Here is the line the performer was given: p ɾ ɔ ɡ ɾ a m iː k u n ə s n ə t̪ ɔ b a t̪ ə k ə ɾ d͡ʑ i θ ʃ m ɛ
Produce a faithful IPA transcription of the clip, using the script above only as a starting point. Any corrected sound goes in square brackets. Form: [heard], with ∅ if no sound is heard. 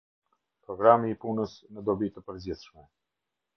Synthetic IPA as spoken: p ɾ ɔ ɡ ɾ a m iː [p] u n ə s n ə [d̪] ɔ b [i] t̪ ə [p] ə ɾ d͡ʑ i θ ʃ m ɛ